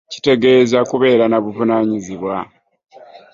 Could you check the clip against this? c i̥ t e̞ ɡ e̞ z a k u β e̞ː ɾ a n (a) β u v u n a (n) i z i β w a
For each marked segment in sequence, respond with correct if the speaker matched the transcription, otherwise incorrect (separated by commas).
correct, incorrect